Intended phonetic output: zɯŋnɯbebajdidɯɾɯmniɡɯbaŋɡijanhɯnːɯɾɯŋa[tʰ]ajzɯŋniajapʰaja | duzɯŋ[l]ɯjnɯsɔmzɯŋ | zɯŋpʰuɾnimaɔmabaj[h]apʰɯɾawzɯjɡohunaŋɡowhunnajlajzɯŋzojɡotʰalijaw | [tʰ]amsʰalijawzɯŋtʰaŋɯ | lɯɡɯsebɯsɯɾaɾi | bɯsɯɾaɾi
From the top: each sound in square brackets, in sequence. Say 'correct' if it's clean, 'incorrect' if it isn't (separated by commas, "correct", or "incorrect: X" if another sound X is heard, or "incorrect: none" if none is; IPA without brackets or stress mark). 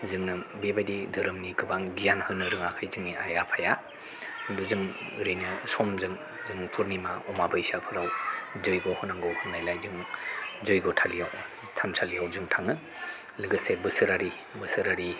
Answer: incorrect: kʰ, incorrect: ɾ, incorrect: s, correct